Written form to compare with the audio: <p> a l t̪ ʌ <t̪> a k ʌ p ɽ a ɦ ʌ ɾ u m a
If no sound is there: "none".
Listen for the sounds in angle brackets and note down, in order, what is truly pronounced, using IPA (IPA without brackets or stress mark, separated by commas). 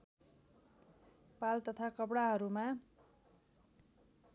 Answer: p, t̪ʰ